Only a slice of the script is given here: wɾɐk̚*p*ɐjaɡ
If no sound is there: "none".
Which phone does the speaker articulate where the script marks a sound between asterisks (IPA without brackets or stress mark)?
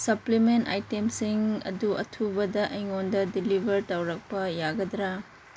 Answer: p